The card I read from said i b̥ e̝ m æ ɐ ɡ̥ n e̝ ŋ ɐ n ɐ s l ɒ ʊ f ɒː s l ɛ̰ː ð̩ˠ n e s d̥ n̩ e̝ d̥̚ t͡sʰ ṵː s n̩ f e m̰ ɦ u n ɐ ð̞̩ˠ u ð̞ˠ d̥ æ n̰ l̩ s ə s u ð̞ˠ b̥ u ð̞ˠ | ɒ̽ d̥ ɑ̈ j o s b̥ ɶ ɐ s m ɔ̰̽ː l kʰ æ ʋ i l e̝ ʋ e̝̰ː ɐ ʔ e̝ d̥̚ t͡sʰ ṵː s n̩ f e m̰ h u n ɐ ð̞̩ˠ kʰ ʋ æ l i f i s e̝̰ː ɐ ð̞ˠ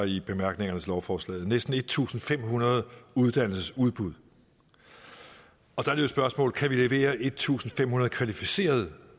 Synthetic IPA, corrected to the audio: i b̥ e̝ m æ ɐ ɡ̥ n e̝ ŋ ɐ n ə s l ɒ ʊ f ɒː s l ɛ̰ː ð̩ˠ n e s d̥ n̩ e̝ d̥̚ t͡sʰ ṵː s n̩ f e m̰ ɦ u n ɐ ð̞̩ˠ u ð̞ˠ d̥ æ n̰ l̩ s ə s u ð̞ˠ b̥ u ð̞ˠ | ɒ̽ d̥ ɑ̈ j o s b̥ ɶ ɐ s m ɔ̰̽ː l kʰ æ ʋ i l e̝ ʋ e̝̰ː ɐ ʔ e̝ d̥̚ t͡sʰ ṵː s n̩ f e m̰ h u n ɐ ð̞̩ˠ kʰ ʋ æ l i f i s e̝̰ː ɐ ð̞ˠ